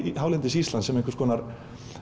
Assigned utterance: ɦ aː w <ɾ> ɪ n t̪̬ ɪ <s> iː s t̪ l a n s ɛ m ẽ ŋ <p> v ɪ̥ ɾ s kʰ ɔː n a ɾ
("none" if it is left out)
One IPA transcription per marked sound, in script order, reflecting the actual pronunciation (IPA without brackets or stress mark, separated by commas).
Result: l, s, k